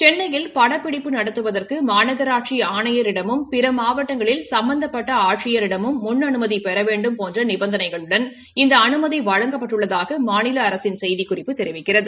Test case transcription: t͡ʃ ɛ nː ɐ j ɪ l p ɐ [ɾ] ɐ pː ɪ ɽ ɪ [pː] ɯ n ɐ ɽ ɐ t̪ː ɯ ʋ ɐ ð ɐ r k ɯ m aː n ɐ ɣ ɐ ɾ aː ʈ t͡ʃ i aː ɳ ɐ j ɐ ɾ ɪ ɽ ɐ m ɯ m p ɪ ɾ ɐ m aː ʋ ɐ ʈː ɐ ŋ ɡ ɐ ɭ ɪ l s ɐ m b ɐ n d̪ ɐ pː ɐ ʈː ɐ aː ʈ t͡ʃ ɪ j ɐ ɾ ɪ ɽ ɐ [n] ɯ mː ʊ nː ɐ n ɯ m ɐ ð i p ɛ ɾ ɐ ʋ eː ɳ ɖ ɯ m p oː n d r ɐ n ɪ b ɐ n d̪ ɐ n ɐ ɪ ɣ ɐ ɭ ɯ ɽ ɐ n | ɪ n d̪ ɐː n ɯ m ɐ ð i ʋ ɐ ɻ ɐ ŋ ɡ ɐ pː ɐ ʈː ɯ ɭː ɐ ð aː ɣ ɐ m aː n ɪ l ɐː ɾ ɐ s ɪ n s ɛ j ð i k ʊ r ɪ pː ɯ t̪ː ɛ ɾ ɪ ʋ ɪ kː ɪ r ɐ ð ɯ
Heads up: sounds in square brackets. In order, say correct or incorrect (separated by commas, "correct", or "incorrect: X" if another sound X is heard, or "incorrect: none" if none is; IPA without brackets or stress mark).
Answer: incorrect: ɽ, correct, incorrect: m